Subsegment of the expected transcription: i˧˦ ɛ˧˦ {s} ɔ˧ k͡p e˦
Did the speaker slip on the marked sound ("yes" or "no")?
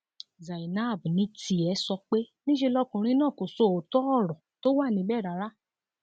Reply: no